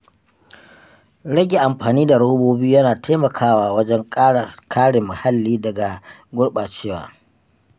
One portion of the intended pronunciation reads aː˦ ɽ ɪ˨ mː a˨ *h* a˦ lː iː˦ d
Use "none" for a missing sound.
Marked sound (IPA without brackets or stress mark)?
h